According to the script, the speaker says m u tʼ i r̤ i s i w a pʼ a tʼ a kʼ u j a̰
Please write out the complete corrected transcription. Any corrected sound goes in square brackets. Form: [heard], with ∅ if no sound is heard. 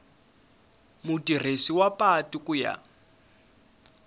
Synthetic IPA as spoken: m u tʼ i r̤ [e] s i w a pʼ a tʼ [i] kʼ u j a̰

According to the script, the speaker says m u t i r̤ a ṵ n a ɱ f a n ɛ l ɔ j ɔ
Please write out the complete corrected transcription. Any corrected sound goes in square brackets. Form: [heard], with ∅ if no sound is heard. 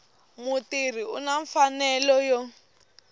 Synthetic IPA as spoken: m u t i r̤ [i] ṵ n a ɱ f a n ɛ l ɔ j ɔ

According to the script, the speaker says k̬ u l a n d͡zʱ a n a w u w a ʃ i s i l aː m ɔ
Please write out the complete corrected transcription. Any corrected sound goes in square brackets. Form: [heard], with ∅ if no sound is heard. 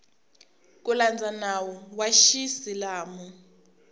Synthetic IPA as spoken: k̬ u l a n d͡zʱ a n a w [ɔ] w a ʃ i s i l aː m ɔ

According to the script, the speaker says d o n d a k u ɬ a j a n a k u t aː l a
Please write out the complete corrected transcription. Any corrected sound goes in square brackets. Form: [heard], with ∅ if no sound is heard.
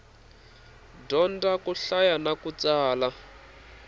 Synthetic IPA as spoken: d [ɔ] n d a k u ɬ a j a n a k u [t͡s] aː l a

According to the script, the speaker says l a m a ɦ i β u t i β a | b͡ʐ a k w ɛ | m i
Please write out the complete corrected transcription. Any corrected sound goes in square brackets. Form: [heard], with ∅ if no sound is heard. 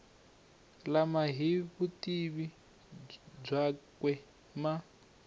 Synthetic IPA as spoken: l a m a ɦ i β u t i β [i] | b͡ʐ a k w ɛ | m [a]

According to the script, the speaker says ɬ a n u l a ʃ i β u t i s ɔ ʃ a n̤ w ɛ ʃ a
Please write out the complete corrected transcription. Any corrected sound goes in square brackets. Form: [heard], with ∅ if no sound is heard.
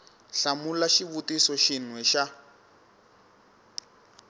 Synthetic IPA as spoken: ɬ a [m] u l a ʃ i β u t i s ɔ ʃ [i] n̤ w ɛ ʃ a

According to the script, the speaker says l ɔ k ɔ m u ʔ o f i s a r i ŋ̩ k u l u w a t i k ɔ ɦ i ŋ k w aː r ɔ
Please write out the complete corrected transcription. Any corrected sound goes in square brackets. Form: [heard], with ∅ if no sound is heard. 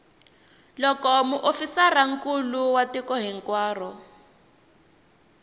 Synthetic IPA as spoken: l ɔ k ɔ m u ʔ o f i s a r [a] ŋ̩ k u l u w a t i k ɔ ɦ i ŋ k w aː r ɔ

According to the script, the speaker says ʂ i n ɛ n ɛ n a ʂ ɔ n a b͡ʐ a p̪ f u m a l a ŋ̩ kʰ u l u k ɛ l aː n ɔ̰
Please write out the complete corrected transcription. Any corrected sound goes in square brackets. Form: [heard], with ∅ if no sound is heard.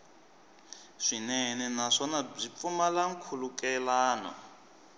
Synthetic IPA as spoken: ʂ i n ɛ n ɛ n a ʂ ɔ n a b͡ʐ [i] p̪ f u m a l a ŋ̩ kʰ u l u k ɛ l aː n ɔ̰

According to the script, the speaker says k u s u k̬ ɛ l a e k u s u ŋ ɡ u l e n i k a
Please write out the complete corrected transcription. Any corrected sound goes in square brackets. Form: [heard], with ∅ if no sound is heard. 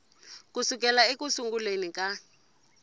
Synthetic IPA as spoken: k u s u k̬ ɛ l a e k u s u ŋ ɡ u l e n i k a

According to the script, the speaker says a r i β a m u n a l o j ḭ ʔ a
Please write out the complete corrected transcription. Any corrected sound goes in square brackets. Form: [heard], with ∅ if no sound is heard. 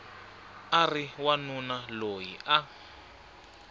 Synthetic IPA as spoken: a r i [w] a [n] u n a l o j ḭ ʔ a

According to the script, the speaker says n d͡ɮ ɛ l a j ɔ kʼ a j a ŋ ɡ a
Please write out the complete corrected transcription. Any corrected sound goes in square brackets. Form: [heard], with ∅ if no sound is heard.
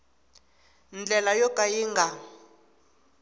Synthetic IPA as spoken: n d͡ɮ ɛ l a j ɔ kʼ a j [i] ŋ ɡ a

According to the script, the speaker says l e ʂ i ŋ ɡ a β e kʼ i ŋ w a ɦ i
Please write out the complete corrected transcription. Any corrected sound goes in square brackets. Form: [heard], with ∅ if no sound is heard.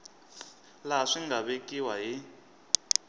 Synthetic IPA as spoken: l [a] ʂ i ŋ ɡ a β e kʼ i [∅] w a ɦ i

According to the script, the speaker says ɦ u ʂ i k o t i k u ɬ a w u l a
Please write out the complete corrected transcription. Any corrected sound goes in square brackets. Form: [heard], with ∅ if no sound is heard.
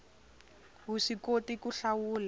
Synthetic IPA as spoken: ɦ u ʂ i k o t i k u ɬ a w [uː] l a

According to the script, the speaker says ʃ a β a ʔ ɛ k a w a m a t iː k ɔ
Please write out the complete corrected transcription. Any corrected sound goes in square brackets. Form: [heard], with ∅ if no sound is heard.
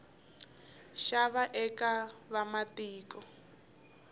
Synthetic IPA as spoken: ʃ a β a ʔ ɛ k a [β] a m a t iː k ɔ

